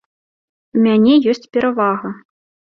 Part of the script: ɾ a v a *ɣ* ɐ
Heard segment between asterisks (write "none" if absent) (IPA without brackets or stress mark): ɣ